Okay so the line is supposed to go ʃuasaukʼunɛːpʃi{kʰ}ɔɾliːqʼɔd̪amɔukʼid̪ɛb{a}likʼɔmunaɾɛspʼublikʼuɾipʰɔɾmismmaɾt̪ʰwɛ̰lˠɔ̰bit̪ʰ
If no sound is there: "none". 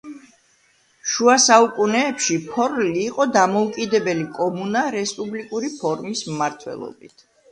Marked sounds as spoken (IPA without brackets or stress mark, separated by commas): pʰ, ɛ